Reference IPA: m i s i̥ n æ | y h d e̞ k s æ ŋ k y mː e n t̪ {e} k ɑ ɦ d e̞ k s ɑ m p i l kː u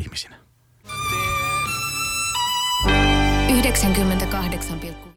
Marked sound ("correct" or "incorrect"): incorrect